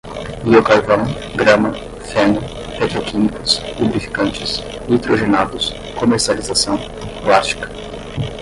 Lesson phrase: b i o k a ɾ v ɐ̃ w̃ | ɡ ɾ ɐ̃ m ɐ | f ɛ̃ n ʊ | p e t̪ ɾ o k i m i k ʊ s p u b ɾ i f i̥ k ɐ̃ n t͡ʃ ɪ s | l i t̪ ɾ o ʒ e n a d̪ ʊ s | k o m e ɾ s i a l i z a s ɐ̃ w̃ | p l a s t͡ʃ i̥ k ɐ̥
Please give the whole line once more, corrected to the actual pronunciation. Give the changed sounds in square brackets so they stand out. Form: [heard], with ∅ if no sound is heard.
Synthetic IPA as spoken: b i o k a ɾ v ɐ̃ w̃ | ɡ ɾ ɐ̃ m ɐ | f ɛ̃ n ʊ | p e t̪ ɾ o k i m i k ʊ s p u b ɾ i f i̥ k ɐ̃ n t͡ʃ ɪ s | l i t̪ ɾ o ʒ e n a d̪ ʊ s | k o m e ɾ s i a l i z a s ɐ̃ w̃ | p l a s t͡ʃ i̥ k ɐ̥